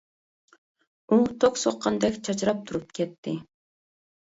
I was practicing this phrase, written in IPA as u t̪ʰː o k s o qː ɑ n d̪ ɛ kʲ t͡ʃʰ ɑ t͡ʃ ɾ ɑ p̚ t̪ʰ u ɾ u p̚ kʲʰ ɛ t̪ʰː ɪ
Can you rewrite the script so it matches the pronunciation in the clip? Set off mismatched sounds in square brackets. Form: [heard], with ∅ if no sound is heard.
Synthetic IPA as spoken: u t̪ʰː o k s o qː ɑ n d̪ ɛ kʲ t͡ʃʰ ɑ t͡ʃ ɾ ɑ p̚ t̪ʰ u ɾ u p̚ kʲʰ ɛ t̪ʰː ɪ